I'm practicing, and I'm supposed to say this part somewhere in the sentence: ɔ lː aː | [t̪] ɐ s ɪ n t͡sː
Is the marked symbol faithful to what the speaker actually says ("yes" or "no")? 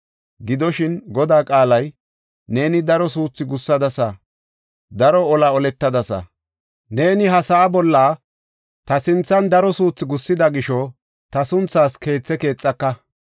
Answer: yes